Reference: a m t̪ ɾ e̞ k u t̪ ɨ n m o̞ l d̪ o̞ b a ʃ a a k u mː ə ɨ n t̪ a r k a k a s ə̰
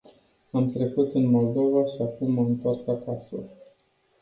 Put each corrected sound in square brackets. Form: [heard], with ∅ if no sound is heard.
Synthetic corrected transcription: a m t̪ ɾ e̞ k u t̪ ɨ n m o̞ l d̪ o̞ [v] a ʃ [i] a k u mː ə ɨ n t̪ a r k a k a s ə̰